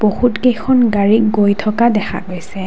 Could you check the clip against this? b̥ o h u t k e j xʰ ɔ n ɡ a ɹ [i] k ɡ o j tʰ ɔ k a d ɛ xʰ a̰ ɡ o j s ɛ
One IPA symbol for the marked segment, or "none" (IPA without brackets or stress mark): i